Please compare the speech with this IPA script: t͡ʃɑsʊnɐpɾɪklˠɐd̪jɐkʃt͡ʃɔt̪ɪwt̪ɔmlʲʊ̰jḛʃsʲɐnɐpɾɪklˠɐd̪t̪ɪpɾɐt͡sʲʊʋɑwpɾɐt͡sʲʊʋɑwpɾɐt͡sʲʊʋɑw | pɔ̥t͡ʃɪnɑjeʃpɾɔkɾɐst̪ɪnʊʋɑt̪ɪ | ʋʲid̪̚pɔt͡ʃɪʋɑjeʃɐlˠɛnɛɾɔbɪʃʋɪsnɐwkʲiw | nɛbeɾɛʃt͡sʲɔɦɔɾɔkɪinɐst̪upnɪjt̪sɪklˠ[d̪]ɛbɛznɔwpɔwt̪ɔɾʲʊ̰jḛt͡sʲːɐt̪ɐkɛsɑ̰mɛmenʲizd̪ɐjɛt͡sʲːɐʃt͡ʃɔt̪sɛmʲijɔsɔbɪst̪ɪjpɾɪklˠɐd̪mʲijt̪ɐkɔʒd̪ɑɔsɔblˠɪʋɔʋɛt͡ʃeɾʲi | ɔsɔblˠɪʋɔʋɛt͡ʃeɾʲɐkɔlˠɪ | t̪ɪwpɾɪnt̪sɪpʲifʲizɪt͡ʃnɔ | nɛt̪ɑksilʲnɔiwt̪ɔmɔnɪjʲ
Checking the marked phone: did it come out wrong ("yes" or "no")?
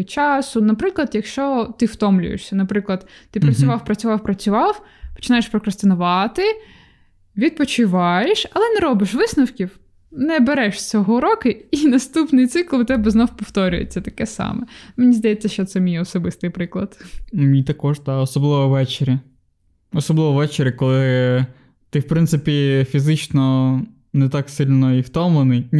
yes